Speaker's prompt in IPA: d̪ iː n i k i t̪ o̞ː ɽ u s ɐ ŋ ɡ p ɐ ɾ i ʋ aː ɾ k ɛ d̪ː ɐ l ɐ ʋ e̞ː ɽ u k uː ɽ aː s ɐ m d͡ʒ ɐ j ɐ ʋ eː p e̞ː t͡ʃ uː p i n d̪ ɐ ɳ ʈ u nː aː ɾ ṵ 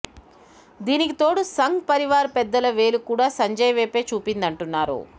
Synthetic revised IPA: d̪ iː n i k i t̪ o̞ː ɽ u s ɐ ŋ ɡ p ɐ ɾ i ʋ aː ɾ p ɛ d̪ː ɐ l ɐ ʋ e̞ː l u k uː ɽ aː s ɐ ɲ d͡ʒ ɐ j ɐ ʋ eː p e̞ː t͡ʃ uː p i n d̪ ɐ ɳ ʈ u nː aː ɾ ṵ